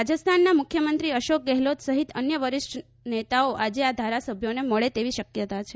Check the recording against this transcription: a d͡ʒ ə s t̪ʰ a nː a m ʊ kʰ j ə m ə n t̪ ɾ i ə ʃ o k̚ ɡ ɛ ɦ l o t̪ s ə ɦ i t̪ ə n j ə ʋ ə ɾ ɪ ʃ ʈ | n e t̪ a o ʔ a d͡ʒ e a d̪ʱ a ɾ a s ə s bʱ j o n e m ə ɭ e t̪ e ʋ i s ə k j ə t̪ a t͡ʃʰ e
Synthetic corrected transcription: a d͡ʒ ə s t̪ʰ a nː a m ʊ kʰ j ə m ə n t̪ ɾ i ə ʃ o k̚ ɡ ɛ ɦ l o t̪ s ə ɦ i t̪ ə n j ə ʋ ə ɾ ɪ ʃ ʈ | n e t̪ a o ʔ a d͡ʒ e a d̪ʱ a ɾ a s ə bʱ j o n e m ə ɭ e t̪ e ʋ i ʃ ə k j ə t̪ a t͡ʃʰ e